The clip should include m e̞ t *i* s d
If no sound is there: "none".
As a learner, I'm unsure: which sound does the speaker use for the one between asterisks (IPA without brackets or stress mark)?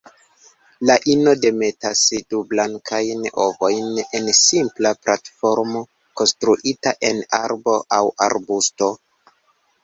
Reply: a